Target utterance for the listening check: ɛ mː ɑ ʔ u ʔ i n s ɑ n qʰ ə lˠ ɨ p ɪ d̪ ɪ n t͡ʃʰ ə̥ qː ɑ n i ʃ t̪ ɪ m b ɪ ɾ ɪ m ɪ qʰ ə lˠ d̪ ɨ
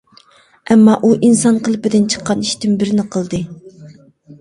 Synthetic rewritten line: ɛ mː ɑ ʔ u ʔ i n s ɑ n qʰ ə lˠ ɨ p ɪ d̪ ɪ n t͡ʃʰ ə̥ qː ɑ n i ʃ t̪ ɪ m b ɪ ɾ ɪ n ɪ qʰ ə lˠ d̪ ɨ